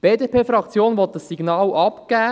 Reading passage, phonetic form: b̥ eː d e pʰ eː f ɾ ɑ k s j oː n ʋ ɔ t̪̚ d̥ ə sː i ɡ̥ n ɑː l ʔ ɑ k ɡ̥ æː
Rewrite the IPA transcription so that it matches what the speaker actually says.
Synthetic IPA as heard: b̥ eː d e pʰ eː f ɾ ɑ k t͡s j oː n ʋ ɔ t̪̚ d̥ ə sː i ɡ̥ n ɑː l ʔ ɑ p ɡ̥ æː